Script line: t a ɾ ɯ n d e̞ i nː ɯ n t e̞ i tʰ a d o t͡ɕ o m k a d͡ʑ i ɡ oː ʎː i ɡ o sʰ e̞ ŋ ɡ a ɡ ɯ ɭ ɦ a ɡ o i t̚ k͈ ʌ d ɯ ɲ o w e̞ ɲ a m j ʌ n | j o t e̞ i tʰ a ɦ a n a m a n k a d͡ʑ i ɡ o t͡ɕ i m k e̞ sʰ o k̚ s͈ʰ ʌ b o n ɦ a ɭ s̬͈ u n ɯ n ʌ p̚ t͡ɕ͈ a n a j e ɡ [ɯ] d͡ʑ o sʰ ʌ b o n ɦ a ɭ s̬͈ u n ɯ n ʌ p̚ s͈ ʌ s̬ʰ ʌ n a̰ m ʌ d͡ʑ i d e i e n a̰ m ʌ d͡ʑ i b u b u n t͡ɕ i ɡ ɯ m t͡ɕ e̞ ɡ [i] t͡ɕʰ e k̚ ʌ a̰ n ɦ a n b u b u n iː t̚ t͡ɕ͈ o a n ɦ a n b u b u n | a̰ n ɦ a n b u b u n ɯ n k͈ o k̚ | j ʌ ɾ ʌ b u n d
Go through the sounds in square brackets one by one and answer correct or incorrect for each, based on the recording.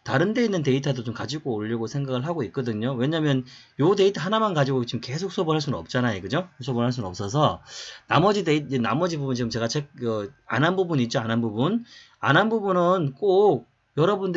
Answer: correct, incorrect: a

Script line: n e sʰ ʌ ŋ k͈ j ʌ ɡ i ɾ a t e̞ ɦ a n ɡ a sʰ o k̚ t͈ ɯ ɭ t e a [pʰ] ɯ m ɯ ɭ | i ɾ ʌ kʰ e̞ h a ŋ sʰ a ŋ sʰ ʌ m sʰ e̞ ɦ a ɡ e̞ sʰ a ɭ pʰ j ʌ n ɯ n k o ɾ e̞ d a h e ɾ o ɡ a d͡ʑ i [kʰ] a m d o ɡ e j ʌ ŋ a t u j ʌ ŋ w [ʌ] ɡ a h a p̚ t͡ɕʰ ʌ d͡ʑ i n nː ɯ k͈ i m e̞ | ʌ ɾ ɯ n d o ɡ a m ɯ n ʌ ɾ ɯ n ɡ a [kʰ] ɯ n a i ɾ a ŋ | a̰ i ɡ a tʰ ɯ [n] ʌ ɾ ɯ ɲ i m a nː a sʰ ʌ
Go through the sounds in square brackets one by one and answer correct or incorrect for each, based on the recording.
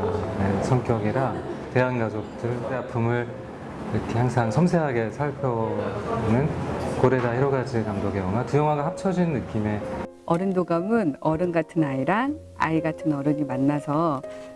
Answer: correct, incorrect: k, incorrect: a, incorrect: tʰ, correct

